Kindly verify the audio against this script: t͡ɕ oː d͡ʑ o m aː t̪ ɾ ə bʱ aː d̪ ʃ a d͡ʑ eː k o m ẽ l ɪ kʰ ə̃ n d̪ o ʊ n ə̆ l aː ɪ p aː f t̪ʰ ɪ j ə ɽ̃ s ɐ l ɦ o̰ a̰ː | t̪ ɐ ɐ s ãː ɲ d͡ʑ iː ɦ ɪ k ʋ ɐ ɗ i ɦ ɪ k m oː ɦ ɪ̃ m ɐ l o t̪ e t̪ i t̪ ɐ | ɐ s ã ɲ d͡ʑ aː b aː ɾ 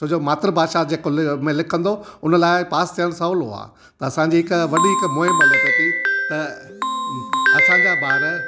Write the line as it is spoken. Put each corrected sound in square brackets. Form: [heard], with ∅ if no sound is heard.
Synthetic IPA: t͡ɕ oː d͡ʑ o m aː t̪ ɾ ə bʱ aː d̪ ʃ a d͡ʑ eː k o m ẽ l ɪ kʰ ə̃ n d̪ o ʊ n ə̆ l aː ɪ p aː [s] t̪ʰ [i] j ə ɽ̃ s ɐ l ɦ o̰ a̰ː | t̪ ɐ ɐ s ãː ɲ d͡ʑ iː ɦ ɪ k ʋ ɐ ɗ i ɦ ɪ k m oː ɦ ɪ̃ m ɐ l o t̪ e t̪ i t̪ ɐ | ɐ s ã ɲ d͡ʑ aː b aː ɾ

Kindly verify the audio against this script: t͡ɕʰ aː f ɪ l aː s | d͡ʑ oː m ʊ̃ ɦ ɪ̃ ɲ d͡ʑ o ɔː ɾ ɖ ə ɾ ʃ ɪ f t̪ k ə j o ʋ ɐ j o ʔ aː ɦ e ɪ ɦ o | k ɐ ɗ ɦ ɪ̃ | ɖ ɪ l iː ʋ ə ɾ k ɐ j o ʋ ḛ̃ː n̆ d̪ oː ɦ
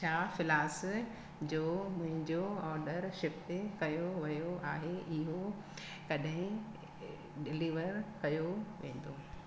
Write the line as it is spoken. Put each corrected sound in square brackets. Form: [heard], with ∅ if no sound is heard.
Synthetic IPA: t͡ɕʰ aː f ɪ l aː s | d͡ʑ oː m ʊ̃ ɦ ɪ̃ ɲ d͡ʑ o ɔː ɾ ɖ ə ɾ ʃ ɪ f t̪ k [ɐ] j o ʋ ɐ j o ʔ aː ɦ e ɪ ɦ o | k ɐ ɗ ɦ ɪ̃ | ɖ ɪ l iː ʋ ə ɾ k ɐ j o ʋ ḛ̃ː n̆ d̪ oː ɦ

